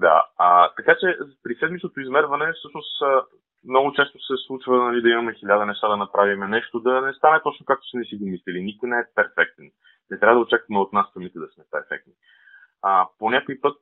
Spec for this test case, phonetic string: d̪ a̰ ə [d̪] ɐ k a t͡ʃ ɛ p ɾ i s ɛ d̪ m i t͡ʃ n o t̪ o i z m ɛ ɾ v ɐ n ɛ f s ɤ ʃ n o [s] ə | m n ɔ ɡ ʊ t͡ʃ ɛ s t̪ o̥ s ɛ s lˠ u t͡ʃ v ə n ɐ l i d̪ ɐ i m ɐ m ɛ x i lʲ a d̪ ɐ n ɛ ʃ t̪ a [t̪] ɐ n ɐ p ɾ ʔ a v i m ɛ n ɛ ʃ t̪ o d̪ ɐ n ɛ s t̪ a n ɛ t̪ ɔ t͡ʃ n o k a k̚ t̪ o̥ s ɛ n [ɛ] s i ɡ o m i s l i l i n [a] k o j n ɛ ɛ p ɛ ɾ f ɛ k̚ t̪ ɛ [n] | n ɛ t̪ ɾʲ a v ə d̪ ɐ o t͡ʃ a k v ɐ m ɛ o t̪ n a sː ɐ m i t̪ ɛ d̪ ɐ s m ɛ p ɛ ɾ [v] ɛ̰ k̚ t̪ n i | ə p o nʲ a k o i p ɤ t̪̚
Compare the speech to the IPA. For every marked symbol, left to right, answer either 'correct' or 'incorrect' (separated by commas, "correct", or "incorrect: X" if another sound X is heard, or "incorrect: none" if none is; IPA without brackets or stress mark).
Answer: incorrect: t̪, correct, incorrect: d̪, correct, incorrect: i, correct, incorrect: f